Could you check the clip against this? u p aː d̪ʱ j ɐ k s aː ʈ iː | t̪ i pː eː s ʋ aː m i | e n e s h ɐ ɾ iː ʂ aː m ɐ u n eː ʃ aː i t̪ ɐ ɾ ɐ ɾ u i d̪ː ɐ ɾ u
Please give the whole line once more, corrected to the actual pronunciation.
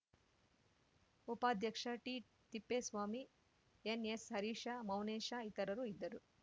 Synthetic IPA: u p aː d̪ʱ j ɐ k ʂ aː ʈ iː | t̪ i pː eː s ʋ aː m i | e n e s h ɐ ɾ iː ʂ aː m ɐ w n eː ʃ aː i t̪ ɐ ɾ ɐ ɾ u i d̪ː ɐ ɾ u